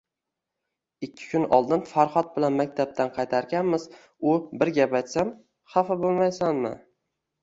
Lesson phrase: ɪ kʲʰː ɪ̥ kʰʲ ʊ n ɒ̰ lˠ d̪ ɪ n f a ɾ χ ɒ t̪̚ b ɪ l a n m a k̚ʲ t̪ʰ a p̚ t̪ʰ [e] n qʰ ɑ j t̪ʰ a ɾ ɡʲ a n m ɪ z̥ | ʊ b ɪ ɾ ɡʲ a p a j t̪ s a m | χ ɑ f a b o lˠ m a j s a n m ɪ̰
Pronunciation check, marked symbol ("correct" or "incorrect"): incorrect